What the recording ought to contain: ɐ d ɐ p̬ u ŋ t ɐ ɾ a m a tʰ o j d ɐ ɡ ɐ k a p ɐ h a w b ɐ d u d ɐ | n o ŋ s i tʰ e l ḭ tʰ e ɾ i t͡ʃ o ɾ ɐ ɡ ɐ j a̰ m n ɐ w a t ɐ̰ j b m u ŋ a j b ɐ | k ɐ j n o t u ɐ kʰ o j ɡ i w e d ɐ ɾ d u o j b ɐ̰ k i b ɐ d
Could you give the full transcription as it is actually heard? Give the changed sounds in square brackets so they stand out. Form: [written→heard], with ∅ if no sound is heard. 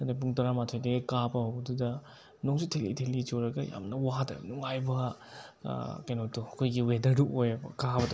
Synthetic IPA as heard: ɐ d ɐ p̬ u ŋ t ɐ ɾ a m a tʰ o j d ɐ ɡ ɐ k a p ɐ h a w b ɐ d u d ɐ | n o ŋ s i tʰ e l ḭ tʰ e [ɾ→l] i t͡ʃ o ɾ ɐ ɡ ɐ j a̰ m n ɐ w a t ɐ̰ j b [m→n] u ŋ a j b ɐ | k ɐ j n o t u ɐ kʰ o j ɡ i w e d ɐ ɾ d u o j b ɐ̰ k [i→a] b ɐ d